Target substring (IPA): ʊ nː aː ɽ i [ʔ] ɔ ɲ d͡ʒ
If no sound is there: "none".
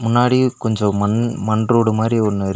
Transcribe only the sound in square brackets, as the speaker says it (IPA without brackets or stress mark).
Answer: k